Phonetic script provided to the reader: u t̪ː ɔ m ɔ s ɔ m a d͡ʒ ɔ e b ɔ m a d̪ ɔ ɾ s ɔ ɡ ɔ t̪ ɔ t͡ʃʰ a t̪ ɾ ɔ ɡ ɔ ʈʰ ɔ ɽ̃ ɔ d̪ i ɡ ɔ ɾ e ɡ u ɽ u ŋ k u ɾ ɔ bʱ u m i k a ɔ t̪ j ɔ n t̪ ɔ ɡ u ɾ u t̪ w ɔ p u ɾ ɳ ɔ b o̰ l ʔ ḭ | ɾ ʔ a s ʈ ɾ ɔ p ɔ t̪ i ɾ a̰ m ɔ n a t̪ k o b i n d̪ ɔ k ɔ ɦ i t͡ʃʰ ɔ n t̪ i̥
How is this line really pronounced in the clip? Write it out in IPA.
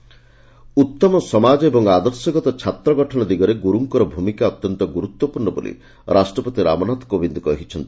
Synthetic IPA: u t̪ː ɔ m ɔ s ɔ m a d͡ʒ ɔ e b ɔ ŋ a d̪ ɔ ɾ s ɔ ɡ ɔ t̪ ɔ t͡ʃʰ a t̪ ɾ ɔ ɡ ɔ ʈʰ ɔ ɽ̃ ɔ d̪ i ɡ ɔ ɾ e ɡ u ɾ u ŋ k ɔ ɾ ɔ bʱ u m i k a ɔ t̪ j ɔ n t̪ ɔ ɡ u ɾ u t̪ w ɔ p u ɾ ɳ ɔ b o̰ l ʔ ḭ | ɾ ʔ a s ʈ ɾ ɔ p ɔ t̪ i ɾ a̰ m ɔ n a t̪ k o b i n d̪ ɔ k ɔ ɦ i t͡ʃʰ ɔ n t̪ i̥